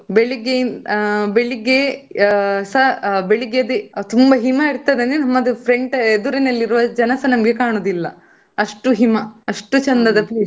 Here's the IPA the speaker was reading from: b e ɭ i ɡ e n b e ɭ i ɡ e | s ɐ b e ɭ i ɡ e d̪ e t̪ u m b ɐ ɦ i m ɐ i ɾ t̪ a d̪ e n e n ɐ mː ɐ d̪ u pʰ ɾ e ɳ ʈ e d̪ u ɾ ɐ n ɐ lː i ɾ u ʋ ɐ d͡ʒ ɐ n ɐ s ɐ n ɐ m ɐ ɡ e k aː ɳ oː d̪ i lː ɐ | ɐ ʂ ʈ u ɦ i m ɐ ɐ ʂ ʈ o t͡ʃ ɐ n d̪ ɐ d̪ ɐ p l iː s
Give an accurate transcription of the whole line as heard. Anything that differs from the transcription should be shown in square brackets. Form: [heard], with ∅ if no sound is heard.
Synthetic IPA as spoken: b e ɭ i ɡ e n b e ɭ i ɡ e | s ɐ b e ɭ i ɡ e d̪ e t̪ u m b ɐ ɦ i m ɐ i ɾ t̪ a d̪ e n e n ɐ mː ɐ d̪ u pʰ ɾ e ɳ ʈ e d̪ u ɾ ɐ n ɐ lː i ɾ u ʋ ɐ d͡ʒ ɐ n ɐ s ɐ n ɐ m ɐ ɡ e k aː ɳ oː d̪ i lː ɐ | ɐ ʂ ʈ u ɦ i m ɐ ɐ ʂ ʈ [u] t͡ʃ ɐ n d̪ ɐ d̪ ɐ p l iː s